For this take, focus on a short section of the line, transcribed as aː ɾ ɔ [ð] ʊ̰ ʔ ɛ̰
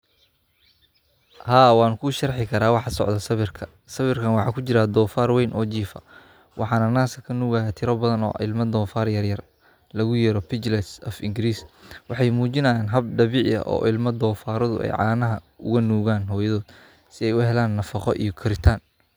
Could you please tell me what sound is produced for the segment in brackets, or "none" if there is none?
ð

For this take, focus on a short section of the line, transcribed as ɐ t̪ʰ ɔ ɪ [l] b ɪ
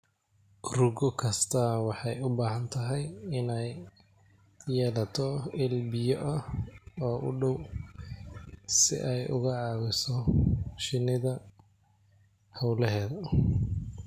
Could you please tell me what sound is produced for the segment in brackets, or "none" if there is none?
l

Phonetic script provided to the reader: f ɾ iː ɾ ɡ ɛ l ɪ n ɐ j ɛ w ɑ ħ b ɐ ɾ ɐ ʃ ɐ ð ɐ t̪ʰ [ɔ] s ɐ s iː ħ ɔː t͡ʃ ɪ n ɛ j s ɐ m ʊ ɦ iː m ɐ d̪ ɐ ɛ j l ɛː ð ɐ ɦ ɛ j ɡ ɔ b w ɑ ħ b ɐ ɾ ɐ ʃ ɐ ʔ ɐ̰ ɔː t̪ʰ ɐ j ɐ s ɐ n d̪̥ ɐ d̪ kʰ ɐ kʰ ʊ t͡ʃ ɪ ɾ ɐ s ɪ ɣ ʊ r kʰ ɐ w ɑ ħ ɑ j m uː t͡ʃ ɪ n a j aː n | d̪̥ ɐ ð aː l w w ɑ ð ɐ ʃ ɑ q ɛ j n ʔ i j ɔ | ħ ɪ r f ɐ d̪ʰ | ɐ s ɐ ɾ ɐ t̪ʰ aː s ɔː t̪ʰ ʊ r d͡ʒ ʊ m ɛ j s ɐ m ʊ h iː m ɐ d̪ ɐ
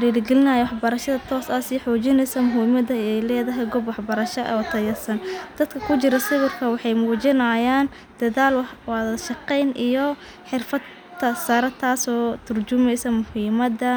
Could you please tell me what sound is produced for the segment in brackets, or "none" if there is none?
ɔː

